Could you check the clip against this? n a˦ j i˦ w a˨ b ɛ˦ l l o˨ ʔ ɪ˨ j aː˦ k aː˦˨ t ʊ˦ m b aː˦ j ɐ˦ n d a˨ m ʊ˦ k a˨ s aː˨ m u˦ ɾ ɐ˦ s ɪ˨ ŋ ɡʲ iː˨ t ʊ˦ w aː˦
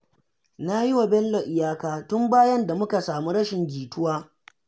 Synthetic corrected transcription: n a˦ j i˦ w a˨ b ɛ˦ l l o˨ ʔ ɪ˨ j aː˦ k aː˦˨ t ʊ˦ m b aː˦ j ɐ˦ n d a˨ m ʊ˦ k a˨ s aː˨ m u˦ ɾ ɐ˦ ʃ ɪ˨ ŋ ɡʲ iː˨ t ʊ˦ w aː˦